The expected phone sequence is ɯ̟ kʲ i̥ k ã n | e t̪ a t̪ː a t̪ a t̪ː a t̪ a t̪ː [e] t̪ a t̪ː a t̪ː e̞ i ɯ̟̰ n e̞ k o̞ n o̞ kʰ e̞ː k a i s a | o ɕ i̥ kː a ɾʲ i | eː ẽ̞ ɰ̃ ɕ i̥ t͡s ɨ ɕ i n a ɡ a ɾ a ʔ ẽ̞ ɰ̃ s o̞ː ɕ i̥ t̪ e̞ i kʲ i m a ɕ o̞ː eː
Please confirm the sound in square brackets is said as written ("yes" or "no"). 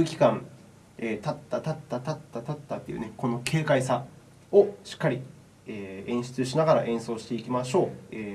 no